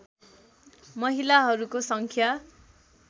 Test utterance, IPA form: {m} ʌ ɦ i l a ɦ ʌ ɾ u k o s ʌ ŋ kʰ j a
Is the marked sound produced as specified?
yes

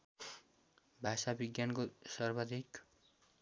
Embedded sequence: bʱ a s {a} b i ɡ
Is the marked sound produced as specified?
yes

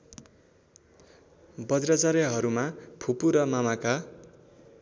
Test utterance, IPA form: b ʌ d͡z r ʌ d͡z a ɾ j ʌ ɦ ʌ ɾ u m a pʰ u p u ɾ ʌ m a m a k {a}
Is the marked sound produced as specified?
yes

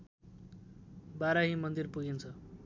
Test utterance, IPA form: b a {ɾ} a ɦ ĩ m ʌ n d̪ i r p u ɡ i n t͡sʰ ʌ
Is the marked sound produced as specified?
yes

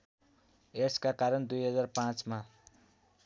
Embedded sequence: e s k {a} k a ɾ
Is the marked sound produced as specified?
yes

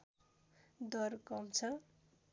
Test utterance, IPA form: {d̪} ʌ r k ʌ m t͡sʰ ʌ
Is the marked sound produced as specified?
yes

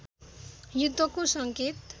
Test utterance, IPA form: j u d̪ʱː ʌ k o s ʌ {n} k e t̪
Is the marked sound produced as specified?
no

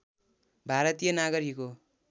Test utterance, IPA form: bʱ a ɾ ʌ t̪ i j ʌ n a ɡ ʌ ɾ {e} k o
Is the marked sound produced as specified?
no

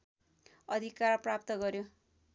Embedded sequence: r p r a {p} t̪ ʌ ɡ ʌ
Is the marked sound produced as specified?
yes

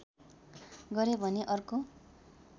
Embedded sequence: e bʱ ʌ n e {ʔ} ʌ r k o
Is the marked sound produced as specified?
yes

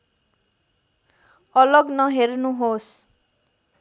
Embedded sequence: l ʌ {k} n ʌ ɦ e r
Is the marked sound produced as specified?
no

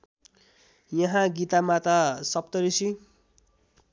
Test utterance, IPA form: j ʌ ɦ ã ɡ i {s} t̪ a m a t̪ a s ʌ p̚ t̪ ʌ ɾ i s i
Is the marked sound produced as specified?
no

